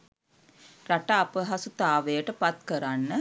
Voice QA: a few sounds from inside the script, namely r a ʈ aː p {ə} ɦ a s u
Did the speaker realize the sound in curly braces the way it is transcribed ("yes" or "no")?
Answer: yes